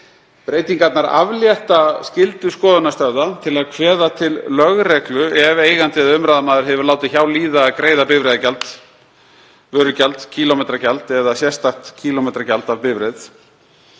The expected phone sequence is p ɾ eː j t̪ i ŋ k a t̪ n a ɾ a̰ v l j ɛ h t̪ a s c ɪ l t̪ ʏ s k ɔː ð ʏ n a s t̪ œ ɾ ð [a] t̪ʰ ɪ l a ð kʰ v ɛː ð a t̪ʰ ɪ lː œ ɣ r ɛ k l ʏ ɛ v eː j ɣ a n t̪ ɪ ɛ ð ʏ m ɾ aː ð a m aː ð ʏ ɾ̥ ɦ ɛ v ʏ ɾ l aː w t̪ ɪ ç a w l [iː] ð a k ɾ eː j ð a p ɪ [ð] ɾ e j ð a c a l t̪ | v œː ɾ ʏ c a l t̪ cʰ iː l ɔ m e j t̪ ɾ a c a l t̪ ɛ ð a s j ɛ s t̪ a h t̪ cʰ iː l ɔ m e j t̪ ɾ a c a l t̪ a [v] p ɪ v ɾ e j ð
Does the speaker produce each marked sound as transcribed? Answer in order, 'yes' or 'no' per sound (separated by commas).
yes, yes, no, yes